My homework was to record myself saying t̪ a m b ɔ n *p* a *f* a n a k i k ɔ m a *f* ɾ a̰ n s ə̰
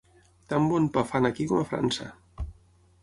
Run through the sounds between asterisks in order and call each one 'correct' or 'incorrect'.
correct, correct, correct

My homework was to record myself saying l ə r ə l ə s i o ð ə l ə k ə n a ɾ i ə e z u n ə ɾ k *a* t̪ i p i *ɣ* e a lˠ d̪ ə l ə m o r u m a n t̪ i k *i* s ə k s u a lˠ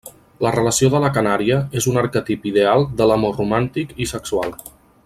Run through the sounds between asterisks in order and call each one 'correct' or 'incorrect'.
incorrect, incorrect, correct

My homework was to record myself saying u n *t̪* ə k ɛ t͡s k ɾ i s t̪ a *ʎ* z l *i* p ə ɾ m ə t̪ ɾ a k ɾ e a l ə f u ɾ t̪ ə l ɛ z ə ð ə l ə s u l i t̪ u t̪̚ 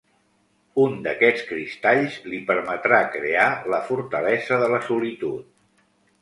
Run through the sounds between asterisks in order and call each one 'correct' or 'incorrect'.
incorrect, correct, correct

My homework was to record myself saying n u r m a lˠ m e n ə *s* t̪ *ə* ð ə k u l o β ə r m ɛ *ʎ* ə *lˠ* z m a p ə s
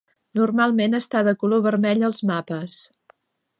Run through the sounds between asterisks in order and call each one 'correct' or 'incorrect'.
correct, incorrect, correct, correct

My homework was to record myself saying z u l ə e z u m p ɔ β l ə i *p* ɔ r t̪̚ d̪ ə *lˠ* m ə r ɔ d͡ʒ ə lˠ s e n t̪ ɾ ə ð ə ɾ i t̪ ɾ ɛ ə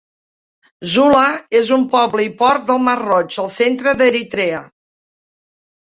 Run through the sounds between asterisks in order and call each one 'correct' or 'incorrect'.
correct, correct

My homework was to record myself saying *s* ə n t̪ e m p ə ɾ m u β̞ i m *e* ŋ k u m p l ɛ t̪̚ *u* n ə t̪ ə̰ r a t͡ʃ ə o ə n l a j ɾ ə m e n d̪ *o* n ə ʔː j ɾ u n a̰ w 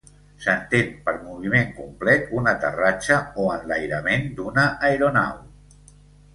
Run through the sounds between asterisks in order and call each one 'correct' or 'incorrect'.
correct, correct, correct, incorrect

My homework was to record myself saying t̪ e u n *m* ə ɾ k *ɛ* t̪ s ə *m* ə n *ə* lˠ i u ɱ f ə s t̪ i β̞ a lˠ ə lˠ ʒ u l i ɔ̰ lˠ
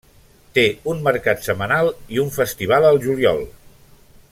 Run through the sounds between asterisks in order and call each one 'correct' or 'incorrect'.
correct, incorrect, correct, incorrect

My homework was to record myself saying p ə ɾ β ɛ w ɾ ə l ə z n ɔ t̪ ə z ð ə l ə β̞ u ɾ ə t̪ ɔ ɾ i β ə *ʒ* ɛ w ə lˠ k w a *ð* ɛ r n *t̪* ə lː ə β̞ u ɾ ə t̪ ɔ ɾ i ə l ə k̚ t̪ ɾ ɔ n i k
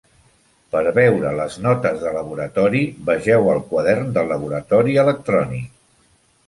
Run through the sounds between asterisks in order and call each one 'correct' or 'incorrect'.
correct, correct, incorrect

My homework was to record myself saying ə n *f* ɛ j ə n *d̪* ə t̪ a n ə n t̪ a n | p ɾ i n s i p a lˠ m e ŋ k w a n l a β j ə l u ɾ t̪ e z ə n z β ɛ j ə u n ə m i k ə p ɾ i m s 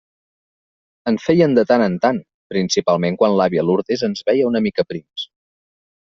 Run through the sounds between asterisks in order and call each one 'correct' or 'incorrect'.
correct, correct

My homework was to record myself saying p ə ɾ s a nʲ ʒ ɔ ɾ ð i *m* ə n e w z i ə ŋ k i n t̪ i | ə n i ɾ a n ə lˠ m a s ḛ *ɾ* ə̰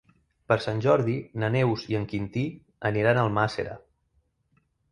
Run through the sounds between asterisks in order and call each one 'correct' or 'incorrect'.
incorrect, correct

